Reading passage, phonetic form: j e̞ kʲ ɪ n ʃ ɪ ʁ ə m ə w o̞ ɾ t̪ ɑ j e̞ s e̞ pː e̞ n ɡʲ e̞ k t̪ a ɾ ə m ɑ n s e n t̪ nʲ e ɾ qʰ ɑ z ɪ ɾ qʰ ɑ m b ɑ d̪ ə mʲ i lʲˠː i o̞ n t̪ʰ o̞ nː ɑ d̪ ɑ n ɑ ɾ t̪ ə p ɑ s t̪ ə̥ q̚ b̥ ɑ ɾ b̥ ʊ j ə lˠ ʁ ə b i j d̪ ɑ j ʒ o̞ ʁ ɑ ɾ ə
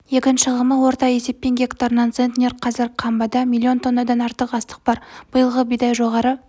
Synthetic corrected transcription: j e̞ kʲ ɪ n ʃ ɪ ʁ ə m ə w o̞ ɾ t̪ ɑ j e̞ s e̞ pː e̞ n ɡʲ e̞ k t̪ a ɾ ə n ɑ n s e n t̪ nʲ e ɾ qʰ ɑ z ɪ ɾ qʰ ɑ m b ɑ d̪ ɑ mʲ i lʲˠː i o̞ n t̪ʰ o̞ nː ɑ d̪ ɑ n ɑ ɾ t̪ ə q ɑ s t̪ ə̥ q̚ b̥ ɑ ɾ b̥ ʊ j ə lˠ ʁ ə b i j d̪ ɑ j ʒ o̞ ʁ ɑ ɾ ə